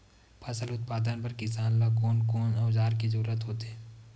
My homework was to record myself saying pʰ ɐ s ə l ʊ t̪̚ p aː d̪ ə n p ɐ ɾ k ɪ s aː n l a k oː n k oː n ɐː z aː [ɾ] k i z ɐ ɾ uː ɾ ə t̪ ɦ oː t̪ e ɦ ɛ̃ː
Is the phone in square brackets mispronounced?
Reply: no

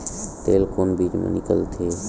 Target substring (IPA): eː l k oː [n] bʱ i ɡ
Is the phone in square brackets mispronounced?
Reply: no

